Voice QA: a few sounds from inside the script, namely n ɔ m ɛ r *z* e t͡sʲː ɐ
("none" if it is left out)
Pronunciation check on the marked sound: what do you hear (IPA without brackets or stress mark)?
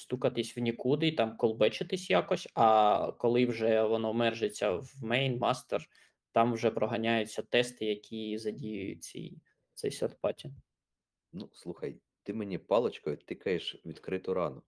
ʒ